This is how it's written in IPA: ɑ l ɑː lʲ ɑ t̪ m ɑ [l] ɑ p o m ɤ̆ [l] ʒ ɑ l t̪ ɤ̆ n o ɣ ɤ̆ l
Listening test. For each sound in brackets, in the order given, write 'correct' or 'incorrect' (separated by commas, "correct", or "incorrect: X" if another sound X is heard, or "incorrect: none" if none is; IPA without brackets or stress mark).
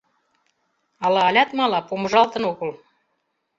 correct, incorrect: none